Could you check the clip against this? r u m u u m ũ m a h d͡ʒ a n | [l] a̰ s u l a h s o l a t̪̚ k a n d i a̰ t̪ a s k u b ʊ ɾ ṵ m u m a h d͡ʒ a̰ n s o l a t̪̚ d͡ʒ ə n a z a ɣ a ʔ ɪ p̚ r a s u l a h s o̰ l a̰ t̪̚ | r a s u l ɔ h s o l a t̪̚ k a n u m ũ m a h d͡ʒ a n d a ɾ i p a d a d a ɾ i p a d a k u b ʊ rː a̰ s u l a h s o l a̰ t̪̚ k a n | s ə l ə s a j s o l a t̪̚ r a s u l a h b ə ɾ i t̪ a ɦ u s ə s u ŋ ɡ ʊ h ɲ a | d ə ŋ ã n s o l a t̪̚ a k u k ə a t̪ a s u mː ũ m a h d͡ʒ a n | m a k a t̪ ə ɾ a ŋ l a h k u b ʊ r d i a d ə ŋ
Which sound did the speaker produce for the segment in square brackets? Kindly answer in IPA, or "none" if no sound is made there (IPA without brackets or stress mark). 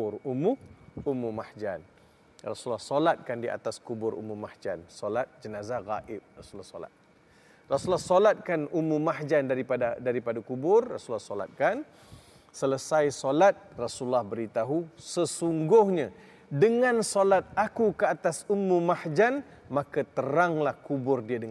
r